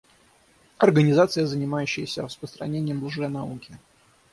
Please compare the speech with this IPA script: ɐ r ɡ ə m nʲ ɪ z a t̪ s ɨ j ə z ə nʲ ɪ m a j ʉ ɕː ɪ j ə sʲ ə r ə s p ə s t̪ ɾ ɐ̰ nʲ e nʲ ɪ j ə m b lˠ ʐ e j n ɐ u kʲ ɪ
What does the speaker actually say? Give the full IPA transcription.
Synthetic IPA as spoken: ɐ r ɡ ə nʲ ɪ z a t̪ s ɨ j ə z ə nʲ ɪ m a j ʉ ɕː ɪ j ə sʲ ə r ə s p ə s t̪ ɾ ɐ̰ nʲ e nʲ ɪ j ə m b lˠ ʐ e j n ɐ u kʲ ɪ